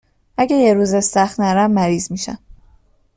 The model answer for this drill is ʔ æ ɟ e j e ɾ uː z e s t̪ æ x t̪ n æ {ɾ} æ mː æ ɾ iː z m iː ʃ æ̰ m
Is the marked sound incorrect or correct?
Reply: correct